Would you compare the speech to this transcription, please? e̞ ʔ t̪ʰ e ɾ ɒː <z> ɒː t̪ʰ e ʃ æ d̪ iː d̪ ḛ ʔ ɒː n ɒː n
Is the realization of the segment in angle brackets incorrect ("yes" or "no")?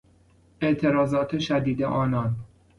no